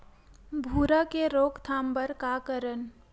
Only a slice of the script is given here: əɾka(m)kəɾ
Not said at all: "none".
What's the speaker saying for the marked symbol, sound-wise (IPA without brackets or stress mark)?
none